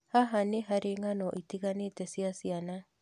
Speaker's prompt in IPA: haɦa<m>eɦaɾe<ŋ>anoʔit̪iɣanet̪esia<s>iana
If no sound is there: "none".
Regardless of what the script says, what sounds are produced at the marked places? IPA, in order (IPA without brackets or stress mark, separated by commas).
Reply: n, ŋ, s